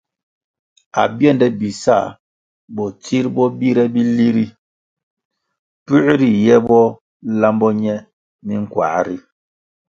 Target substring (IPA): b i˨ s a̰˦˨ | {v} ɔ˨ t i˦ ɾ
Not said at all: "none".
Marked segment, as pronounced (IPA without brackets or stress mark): b